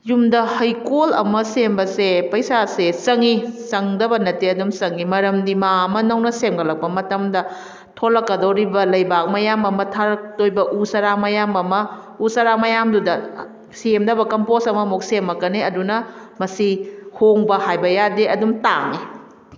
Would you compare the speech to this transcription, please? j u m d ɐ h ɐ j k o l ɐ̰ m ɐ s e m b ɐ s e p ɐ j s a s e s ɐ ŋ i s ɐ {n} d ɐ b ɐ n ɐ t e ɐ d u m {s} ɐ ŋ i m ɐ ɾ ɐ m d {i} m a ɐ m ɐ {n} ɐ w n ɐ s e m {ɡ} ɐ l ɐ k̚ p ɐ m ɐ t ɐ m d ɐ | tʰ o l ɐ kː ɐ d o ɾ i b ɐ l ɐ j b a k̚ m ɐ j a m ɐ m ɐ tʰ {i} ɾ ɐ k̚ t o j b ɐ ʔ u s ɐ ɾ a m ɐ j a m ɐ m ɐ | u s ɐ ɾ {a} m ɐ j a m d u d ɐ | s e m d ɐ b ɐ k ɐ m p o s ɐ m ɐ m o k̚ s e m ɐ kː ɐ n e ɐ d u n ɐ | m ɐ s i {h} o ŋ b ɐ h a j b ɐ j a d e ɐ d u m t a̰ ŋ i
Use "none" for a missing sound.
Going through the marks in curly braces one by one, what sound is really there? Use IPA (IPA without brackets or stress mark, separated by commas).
ŋ, s, i, n, ɡ, a, a, h